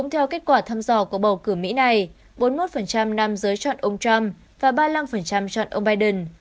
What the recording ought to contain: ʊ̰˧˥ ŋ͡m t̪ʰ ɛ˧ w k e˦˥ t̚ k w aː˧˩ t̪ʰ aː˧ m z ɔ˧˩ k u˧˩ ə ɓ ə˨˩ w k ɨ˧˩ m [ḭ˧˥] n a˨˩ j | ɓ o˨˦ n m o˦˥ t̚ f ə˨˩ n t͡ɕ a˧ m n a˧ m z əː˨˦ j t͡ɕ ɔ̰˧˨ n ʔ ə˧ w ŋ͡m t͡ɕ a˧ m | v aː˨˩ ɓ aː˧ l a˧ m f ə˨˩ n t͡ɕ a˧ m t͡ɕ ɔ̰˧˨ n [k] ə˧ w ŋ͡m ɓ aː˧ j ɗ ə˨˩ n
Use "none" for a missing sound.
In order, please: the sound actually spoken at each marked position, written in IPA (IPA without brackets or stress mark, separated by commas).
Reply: ḭ˧˥, ʔ